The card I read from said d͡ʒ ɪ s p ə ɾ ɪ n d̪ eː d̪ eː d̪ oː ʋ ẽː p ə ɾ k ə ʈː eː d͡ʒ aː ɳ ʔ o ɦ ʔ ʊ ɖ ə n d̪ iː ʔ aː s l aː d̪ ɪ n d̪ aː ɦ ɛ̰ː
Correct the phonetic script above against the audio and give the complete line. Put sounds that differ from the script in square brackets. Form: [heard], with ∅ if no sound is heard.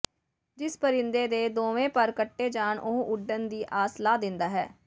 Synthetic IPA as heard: d͡ʒ ɪ s p ə ɾ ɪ n d̪ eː d̪ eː d̪ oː ʋ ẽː p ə ɾ k ə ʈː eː d͡ʒ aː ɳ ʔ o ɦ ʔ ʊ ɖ ə n d̪ iː ʔ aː s l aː d̪ ɪ n d̪ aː ɦ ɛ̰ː